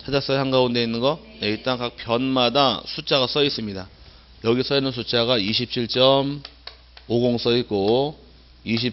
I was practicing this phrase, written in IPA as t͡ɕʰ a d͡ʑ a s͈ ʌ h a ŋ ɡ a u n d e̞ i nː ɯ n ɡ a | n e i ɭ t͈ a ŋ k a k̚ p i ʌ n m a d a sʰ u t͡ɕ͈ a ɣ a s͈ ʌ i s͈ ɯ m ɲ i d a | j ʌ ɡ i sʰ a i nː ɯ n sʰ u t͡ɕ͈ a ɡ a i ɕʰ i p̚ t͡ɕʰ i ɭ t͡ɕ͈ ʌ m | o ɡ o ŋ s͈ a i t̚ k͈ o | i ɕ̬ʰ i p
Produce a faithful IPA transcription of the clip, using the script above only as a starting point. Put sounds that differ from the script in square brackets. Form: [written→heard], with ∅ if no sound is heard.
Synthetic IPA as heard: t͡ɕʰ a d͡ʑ a s͈ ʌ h a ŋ ɡ a u n d e̞ i nː ɯ n ɡ [a→ʌ] | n e i ɭ t͈ a ŋ k a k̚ p [i→j] ʌ n m a d a sʰ u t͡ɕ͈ a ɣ a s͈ ʌ i s͈ ɯ m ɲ i d a | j ʌ ɡ i sʰ [a→ʌ] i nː ɯ n sʰ u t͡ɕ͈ a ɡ a i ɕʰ i p̚ t͡ɕʰ i ɭ t͡ɕ͈ ʌ m | o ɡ o ŋ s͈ [a→ʌ] i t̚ k͈ o | i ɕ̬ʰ i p